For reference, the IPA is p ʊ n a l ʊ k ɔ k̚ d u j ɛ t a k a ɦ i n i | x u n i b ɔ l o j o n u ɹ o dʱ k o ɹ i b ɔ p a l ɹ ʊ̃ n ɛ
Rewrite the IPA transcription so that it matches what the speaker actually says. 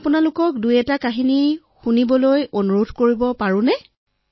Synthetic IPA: p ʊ n a l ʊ k ɔ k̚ d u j ɛ t a k a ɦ i n i | x u n i b ɔ l o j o n u ɹ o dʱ k o ɹ i b ɔ p a ɹ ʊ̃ n ɛ